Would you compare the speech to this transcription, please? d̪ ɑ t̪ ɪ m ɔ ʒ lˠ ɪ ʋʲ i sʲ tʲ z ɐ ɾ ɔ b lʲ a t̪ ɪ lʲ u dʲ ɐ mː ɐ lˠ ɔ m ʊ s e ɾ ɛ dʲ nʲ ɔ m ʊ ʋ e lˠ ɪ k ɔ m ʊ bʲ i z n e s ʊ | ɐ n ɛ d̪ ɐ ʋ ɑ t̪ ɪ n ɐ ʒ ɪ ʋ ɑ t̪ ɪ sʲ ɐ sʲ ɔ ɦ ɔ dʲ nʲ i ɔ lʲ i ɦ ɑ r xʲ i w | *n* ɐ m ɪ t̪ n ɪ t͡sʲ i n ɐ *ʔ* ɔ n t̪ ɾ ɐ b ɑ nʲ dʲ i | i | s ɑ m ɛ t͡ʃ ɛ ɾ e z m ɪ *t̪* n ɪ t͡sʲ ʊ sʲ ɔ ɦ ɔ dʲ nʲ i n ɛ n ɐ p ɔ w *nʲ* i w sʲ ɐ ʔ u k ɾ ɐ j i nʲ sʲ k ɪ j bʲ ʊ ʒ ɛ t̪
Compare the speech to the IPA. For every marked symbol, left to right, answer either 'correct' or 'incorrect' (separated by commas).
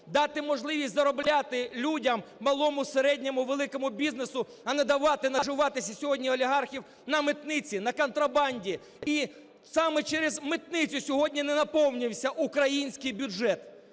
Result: correct, incorrect, correct, correct